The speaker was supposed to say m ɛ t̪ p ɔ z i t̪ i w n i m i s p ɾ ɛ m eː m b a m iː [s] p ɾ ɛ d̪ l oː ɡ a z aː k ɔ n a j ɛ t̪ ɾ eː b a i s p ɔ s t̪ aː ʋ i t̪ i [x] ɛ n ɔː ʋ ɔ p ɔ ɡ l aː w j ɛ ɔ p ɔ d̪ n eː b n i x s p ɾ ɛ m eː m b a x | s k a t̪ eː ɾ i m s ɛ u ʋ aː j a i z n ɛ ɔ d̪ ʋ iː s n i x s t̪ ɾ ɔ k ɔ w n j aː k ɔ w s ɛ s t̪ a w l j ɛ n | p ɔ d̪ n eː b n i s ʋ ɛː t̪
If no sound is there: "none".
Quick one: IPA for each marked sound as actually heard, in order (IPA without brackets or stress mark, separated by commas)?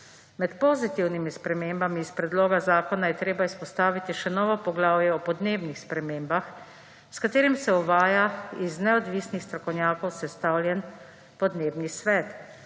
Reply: s, ʃ